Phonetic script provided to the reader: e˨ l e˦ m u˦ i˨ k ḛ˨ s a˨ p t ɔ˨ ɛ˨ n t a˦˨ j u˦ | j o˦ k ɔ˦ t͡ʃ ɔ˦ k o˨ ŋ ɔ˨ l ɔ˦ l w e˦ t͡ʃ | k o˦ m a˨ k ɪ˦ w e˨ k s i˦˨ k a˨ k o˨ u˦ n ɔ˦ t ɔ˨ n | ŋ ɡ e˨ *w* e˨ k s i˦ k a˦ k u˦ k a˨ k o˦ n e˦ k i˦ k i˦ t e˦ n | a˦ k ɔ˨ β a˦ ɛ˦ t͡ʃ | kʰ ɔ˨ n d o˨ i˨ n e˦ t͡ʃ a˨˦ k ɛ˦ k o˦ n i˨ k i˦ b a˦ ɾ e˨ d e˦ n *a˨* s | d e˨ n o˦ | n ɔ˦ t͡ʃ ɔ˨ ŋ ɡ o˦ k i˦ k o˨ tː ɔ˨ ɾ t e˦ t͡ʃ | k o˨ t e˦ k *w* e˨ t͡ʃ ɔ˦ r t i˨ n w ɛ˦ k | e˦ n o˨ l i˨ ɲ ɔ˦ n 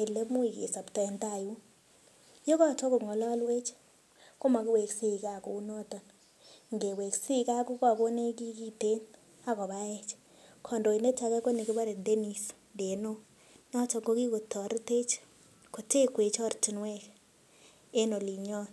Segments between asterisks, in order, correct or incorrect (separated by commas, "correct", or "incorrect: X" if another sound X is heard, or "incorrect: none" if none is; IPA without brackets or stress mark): correct, incorrect: i˨, correct